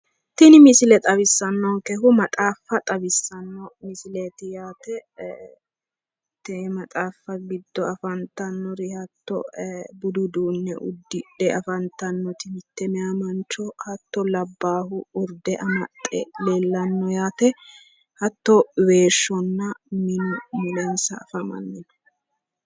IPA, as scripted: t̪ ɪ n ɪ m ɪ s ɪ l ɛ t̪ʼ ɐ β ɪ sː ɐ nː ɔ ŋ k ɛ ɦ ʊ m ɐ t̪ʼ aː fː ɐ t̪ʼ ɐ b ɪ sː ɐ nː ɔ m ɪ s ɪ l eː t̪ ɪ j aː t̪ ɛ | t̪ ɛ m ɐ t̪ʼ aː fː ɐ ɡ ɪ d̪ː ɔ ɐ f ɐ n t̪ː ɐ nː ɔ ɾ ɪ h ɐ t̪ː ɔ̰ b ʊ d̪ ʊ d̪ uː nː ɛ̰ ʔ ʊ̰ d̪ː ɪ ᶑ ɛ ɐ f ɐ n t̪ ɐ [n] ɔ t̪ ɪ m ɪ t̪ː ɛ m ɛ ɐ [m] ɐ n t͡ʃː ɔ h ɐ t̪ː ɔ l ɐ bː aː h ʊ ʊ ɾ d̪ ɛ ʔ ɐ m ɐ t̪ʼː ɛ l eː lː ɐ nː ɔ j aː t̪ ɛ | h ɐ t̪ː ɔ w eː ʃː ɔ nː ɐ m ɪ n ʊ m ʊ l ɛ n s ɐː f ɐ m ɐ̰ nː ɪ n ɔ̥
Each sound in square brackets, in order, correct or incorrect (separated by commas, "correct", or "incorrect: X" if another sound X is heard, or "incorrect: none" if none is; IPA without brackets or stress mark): incorrect: nː, correct